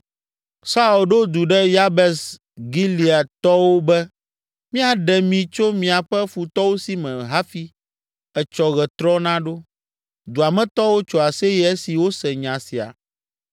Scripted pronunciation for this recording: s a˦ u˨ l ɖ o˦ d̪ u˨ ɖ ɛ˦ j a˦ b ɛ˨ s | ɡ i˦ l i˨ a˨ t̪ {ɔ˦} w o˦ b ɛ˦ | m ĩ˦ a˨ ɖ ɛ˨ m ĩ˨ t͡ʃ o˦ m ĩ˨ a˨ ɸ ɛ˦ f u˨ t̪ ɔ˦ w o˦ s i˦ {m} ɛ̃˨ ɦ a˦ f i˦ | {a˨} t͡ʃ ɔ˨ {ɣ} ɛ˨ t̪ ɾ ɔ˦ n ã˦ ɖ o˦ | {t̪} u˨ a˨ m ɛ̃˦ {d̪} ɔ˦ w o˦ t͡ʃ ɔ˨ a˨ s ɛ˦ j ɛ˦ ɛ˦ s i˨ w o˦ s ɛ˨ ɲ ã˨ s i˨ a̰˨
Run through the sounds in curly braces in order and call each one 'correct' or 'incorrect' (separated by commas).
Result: correct, correct, incorrect, correct, incorrect, incorrect